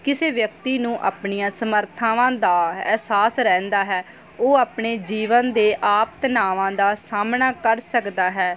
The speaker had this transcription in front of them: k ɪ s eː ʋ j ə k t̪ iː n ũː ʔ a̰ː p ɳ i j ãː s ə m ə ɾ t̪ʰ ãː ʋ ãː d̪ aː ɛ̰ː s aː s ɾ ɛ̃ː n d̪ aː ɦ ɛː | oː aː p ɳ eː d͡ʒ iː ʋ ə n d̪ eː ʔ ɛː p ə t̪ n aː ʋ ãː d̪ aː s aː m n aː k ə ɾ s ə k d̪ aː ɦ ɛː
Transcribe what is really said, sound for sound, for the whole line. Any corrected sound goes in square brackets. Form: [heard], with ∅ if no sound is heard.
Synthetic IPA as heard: k ɪ s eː ʋ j ə k t̪ iː n ũː ʔ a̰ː p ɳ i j ãː s ə m ə ɾ t̪ʰ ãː ʋ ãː d̪ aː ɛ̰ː s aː s ɾ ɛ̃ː n d̪ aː ɦ ɛː | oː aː p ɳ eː d͡ʒ iː ʋ ə n d̪ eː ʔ [aː] p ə t̪ n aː ʋ ãː d̪ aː s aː m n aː k ə ɾ s ə k d̪ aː ɦ ɛː